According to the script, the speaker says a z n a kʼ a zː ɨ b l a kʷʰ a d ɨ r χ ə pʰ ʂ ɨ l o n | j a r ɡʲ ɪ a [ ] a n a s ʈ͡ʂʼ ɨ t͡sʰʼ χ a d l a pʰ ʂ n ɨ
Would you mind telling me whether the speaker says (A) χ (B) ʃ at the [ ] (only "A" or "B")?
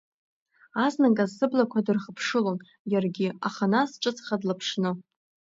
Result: A